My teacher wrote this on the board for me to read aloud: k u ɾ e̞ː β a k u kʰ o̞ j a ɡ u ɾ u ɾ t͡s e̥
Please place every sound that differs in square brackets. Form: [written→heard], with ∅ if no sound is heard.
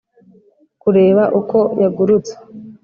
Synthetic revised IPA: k u ɾ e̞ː β a [k→ʔ] u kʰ o̞ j a ɡ u ɾ u [ɾ→∅] t͡s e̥